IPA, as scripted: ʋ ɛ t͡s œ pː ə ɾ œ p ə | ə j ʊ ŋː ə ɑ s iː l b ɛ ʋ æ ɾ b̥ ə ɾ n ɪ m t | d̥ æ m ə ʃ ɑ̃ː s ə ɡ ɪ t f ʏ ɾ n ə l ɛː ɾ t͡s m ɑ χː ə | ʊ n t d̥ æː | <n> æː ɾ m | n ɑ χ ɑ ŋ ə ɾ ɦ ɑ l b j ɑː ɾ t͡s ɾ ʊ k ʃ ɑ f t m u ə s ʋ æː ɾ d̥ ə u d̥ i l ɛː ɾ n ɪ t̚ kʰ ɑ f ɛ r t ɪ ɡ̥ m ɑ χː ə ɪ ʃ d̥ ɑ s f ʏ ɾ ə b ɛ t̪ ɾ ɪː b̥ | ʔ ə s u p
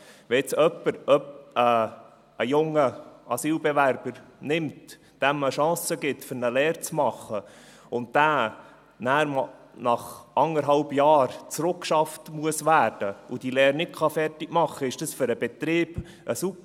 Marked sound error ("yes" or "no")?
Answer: no